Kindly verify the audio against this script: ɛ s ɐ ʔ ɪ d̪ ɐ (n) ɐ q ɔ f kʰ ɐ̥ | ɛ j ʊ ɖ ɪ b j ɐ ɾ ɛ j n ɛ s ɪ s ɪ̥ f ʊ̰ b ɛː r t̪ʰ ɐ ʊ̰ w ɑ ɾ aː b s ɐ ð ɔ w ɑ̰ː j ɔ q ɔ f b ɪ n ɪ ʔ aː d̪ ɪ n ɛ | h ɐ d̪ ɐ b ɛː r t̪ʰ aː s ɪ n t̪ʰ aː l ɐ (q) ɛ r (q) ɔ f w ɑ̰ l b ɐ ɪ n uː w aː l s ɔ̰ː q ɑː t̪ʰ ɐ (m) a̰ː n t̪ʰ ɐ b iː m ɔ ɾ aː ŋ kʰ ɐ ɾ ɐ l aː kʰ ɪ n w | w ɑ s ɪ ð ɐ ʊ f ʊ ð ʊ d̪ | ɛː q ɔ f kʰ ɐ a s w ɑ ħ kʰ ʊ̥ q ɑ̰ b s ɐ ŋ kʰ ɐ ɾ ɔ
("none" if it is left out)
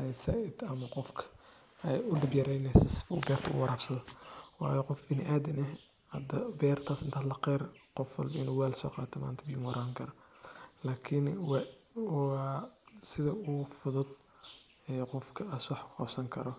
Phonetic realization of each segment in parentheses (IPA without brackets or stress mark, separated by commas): m, q, q, m